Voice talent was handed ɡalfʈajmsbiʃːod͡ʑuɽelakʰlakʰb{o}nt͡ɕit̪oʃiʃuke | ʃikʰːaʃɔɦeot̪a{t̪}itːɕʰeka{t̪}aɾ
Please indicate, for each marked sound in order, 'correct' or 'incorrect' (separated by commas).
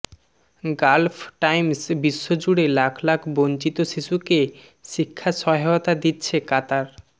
correct, incorrect, correct